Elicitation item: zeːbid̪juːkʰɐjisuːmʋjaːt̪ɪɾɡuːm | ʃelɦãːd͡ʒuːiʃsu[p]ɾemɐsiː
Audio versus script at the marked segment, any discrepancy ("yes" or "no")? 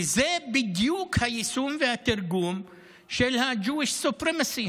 no